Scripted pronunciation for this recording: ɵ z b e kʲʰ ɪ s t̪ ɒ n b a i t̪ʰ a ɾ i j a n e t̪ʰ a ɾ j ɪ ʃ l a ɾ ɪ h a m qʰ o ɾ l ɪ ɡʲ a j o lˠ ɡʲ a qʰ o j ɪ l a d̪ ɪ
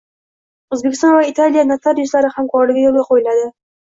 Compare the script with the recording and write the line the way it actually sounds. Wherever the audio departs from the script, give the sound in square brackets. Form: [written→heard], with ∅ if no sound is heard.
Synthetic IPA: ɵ z b e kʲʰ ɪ s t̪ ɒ n [b→v] a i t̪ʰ a [ɾ→l] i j a n [e→a] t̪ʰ a ɾ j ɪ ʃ l a ɾ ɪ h a m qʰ [o→ɒ] ɾ l ɪ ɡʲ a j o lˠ ɡʲ a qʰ o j ɪ l a d̪ ɪ